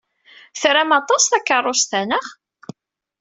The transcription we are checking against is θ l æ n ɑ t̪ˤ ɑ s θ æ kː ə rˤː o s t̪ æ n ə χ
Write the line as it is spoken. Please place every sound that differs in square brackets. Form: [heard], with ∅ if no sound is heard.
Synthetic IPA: θ [ɾ] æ [m] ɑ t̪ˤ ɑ s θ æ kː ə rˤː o s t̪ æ n ə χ